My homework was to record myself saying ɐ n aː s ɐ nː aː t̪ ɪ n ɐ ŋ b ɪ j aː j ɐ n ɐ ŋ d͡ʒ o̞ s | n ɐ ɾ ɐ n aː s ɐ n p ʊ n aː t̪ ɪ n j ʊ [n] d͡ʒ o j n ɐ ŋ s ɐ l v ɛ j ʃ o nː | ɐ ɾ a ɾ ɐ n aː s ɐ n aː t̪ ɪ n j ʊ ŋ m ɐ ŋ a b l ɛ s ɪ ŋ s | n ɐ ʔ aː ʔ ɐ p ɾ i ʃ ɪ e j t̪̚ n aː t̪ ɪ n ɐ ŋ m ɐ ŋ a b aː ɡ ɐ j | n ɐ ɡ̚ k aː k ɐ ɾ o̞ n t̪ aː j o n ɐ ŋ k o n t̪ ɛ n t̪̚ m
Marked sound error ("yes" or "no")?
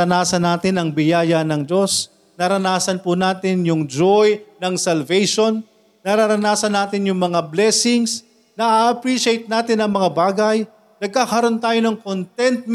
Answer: yes